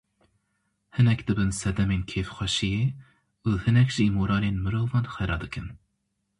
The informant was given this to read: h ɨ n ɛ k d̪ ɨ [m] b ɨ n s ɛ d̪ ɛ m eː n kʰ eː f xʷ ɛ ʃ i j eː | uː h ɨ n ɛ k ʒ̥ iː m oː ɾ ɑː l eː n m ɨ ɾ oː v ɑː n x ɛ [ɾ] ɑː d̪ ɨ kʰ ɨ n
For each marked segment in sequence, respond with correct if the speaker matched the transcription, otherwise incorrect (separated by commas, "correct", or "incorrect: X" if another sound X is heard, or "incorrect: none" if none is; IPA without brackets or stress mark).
incorrect: none, correct